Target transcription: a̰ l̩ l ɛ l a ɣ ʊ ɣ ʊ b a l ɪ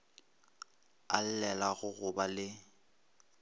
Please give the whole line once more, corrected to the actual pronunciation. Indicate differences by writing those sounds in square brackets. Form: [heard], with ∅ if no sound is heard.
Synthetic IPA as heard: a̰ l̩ l ɛ l a ɣ ʊ ɣ ʊ b a l ɪ